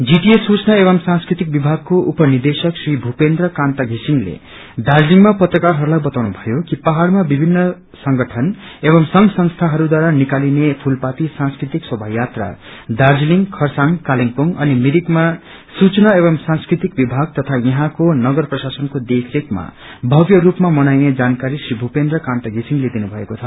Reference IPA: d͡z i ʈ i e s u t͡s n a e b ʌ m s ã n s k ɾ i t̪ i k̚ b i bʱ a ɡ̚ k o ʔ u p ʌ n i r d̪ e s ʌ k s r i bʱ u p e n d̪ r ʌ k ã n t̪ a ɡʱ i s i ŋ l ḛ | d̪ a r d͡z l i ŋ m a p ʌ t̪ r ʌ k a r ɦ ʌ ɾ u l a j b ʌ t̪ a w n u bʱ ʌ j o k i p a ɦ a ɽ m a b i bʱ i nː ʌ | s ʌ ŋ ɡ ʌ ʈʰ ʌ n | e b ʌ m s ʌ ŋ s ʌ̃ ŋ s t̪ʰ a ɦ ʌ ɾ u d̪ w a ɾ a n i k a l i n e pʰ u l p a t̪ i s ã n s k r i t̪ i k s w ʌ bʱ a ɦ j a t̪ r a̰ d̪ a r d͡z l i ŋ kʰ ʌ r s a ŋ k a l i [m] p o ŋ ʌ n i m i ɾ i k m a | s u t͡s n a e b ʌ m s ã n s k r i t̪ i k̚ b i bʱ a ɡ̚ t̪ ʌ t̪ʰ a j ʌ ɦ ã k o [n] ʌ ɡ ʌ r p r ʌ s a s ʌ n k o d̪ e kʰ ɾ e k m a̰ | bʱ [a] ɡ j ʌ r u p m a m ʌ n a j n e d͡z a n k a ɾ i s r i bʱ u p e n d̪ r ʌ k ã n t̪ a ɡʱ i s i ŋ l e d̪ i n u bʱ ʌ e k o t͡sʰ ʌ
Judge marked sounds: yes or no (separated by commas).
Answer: no, yes, no